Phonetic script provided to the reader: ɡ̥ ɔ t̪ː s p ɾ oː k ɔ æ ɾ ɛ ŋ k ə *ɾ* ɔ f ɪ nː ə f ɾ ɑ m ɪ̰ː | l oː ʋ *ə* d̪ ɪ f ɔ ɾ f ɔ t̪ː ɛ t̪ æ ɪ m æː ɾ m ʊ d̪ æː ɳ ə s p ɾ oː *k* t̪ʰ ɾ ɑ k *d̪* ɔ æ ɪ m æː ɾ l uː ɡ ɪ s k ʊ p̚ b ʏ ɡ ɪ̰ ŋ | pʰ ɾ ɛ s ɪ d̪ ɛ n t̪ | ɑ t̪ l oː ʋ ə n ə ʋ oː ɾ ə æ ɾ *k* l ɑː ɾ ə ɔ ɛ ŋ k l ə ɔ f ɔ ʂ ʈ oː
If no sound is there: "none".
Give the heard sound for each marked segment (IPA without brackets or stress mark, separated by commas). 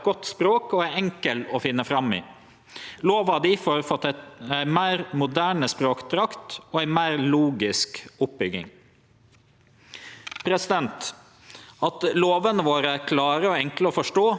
l, ɑ, k, t̪, kʰ